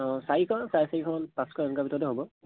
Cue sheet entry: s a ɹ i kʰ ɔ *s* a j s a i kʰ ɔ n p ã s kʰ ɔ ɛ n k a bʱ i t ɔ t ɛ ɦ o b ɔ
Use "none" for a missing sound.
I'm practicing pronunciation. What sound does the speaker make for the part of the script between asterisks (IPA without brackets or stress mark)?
s